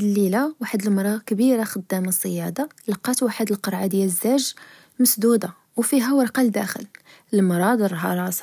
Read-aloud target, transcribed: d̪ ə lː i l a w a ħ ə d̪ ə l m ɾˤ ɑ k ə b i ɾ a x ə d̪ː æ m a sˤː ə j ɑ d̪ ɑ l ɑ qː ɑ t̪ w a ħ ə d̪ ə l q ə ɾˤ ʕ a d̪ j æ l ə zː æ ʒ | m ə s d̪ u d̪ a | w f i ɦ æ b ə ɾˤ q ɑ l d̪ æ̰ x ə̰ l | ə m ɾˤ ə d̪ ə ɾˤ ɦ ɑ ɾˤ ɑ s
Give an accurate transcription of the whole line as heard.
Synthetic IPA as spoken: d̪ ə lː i l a w a ħ ə d̪ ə l m ɾˤ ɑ k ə b i ɾ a x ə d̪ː æ m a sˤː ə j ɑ d̪ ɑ l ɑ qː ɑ t̪ w a ħ ə d̪ ə l q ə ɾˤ ʕ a d̪ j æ l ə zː æ ʒ | m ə s d̪ u d̪ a | w f i ɦ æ w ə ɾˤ q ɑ l d̪ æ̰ x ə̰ l | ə m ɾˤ ɑ d̪ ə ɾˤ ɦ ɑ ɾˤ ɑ s